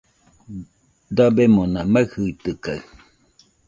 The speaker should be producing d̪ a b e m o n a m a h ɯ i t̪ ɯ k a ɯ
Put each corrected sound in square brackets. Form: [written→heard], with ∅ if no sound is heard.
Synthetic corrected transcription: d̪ a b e m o n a m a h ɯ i t̪ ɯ k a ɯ